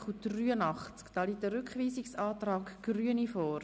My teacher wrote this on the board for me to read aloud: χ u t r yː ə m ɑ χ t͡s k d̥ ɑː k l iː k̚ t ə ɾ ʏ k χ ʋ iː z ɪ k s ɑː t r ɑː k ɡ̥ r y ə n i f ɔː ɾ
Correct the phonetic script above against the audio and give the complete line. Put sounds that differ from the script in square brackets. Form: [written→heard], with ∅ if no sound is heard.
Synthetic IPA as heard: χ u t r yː ə [m→n] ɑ χ t͡s k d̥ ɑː [k→∅] l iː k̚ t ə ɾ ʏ k χ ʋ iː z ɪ k s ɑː t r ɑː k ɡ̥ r y ə n i f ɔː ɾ